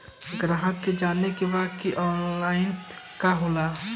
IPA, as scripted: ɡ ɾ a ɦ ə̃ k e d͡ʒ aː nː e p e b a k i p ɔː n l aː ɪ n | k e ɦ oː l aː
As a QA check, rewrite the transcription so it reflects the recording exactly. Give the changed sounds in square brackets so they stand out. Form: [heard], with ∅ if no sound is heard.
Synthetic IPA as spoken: ɡ ɾ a ɦ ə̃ k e d͡ʒ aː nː e [k] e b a k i [ʔ] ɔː n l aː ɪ n | k [a] ɦ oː l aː

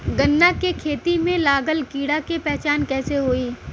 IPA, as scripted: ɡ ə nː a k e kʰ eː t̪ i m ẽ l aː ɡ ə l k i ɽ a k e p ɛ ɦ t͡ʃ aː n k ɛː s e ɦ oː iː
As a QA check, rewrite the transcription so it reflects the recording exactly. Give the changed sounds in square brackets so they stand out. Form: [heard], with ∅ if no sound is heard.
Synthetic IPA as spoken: ɡ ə nː a k e kʰ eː t̪ i m ẽ l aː ɡ ə l k [iː] ɽ a k e p ɛ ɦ t͡ʃ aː n k ɛː s e ɦ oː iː

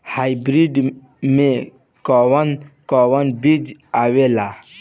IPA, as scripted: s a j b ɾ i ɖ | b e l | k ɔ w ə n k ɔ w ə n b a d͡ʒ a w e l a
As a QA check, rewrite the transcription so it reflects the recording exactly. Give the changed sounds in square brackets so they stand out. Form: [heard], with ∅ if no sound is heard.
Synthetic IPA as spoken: [h] a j b ɾ i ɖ | [m] e [∅] | k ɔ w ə n k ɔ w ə n b [i] d͡ʒ a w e l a

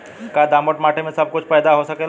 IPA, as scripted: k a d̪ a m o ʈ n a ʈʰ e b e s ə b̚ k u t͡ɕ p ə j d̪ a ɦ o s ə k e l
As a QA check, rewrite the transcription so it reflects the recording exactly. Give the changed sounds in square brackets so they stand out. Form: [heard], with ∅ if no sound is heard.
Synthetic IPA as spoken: k a d̪ a m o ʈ [m] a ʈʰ e [m] e s ə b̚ k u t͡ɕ p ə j d̪ a ɦ o s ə k e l

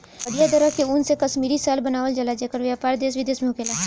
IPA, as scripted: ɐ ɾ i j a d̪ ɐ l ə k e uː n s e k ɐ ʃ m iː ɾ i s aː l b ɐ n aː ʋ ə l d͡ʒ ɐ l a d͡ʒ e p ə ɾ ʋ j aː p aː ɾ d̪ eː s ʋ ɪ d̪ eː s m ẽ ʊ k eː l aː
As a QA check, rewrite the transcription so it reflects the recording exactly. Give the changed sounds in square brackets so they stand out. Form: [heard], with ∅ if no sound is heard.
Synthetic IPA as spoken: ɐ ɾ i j a d̪ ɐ [ɾ] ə k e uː n s e k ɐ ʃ m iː ɾ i s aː l b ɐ n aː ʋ ə l d͡ʒ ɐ l a d͡ʒ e [k] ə ɾ ʋ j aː p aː ɾ d̪ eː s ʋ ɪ d̪ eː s m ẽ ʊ k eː l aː

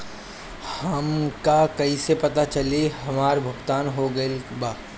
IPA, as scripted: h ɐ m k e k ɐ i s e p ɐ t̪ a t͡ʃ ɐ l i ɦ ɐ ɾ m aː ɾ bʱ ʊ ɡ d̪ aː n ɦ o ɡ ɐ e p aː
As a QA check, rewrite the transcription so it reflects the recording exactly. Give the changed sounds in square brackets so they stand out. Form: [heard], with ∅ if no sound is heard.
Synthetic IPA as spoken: h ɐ m k [a] k ɐ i s e p ɐ t̪ a t͡ʃ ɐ l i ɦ ɐ [∅] m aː ɾ bʱ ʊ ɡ [t̪] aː n ɦ o ɡ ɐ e [b] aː

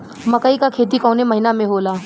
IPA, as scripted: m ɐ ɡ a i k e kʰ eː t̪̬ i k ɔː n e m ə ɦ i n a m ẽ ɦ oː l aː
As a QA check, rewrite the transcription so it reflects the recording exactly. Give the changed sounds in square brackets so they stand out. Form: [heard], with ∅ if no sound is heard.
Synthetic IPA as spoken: m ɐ [k] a i k [a] kʰ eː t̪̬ i k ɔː n e m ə ɦ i n a m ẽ ɦ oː l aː

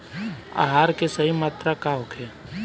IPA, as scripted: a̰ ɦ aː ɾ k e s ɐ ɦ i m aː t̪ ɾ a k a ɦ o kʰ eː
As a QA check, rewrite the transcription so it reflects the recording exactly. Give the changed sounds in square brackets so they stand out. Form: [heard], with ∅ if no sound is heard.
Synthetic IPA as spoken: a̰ ɦ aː ɾ k e s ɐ ɦ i m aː t̪ ɾ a k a ɦ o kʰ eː

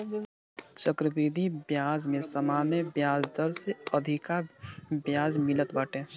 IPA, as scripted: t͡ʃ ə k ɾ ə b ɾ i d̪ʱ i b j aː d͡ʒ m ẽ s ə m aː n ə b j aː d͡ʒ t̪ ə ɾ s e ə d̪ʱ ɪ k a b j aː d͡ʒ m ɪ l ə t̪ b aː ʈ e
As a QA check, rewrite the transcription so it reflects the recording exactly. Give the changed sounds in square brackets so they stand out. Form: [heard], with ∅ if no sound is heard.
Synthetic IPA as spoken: t͡ʃ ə k ɾ ə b ɾ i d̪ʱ i b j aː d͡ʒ m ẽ s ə m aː n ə b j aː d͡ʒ [d̪] ə ɾ s e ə d̪ʱ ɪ k a b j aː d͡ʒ m ɪ l ə t̪ b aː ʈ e

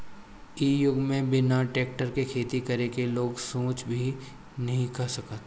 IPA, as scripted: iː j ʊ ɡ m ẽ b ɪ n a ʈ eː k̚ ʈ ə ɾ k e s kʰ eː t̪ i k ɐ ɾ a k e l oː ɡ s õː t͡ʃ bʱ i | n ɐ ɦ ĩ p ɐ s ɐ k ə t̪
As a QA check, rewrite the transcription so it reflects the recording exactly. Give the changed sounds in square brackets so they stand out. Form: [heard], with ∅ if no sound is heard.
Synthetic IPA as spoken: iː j ʊ ɡ m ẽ b ɪ n a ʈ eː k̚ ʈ ə ɾ k e [∅] kʰ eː t̪ i k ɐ ɾ [e] k e l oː ɡ s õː t͡ʃ bʱ i | n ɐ ɦ ĩ [k] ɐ s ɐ k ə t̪

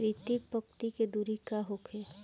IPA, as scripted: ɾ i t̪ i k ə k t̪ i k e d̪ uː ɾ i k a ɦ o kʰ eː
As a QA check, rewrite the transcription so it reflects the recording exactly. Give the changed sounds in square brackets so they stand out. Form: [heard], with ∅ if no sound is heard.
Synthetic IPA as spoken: ɾ i t̪ i [p] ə k t̪ i k e d̪ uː ɾ i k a ɦ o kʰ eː

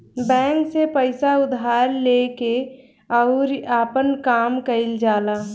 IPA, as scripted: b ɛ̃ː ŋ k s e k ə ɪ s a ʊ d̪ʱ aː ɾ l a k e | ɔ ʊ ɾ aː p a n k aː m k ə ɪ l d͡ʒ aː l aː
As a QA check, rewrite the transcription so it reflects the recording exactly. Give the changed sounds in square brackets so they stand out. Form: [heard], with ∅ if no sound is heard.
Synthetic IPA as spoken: b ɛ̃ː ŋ k s e [p] ə ɪ s a ʊ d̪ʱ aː ɾ l [e] k e | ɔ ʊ ɾ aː p [ə] n k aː m k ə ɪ l d͡ʒ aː l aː

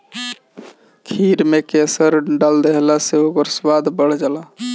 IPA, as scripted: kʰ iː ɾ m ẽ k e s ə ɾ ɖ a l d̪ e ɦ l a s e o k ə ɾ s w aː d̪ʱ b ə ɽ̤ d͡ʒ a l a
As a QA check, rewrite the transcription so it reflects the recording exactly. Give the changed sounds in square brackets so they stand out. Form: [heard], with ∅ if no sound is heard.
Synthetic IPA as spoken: kʰ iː ɾ m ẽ k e s ə ɾ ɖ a l d̪ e ɦ l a s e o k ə ɾ s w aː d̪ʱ b ə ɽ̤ d͡ʒ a l a

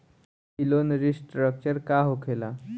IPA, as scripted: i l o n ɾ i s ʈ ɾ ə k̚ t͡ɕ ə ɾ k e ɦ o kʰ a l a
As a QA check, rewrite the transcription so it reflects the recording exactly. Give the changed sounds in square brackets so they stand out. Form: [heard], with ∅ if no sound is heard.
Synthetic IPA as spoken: i l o n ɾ i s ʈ ɾ ə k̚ t͡ɕ ə ɾ k [a] ɦ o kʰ [e] l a

